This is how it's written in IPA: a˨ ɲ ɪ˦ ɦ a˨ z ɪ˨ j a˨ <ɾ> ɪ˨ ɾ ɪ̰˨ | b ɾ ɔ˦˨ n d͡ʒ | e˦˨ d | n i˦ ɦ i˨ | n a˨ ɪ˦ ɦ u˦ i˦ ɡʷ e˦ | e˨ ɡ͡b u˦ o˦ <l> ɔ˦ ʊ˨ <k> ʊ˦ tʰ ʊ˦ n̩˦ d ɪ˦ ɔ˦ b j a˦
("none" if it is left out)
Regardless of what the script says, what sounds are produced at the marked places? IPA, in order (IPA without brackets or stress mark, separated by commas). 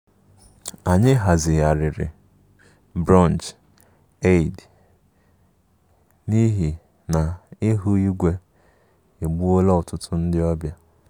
ɾ, l, t